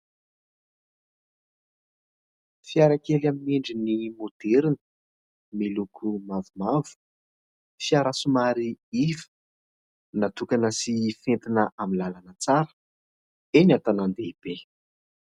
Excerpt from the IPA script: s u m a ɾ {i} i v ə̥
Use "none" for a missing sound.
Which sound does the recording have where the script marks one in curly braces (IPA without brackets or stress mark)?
i